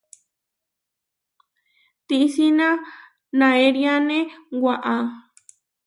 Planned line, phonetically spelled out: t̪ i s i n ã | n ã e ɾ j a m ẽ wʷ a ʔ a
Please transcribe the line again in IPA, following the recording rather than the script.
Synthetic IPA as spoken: t̪ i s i n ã | n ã e ɾ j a n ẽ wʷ a ʔ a